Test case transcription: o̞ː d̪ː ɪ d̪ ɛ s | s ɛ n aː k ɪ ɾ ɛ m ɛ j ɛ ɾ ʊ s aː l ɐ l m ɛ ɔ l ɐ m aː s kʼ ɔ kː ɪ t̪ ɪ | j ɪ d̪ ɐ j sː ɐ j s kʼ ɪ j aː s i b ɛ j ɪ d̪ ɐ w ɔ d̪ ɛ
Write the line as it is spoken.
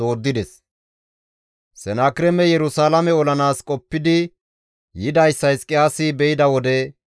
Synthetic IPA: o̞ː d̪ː ɪ d̪ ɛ s | s ɛ n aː k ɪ ɾ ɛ m ɛ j ɛ ɾ ʊ s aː l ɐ m ɛ ɔ l ɐ n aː s kʼ ɔ pː ɪ d̪ ɪ | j ɪ d̪ ɐ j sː ɐ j s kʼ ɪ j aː s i b ɛ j ɪ d̪ ɐ w ɔ d̪ ɛ